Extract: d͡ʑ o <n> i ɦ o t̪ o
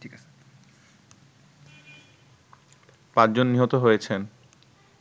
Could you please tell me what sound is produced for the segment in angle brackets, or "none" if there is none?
nː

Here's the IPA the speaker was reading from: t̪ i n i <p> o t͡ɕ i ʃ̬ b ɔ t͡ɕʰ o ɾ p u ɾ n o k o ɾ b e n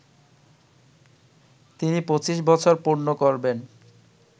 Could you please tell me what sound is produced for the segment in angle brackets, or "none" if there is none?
p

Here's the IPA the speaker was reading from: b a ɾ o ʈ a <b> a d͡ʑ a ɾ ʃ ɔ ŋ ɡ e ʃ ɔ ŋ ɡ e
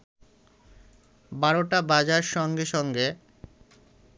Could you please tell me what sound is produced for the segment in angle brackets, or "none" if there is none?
b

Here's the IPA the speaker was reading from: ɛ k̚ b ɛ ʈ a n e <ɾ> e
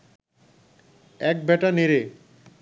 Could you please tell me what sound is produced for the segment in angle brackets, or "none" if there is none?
ɾ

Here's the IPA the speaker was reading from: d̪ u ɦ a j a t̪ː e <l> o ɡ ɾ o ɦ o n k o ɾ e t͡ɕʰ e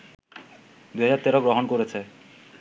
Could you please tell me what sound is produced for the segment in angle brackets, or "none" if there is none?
ɾ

